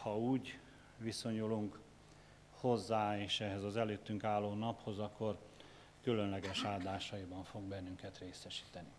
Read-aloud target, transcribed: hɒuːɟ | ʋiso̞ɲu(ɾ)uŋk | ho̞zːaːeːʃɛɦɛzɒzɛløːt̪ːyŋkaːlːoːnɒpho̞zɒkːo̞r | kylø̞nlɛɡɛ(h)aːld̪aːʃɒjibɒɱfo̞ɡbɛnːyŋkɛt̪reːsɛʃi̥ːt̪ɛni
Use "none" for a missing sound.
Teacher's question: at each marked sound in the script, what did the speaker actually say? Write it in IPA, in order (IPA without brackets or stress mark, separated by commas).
l, ʃ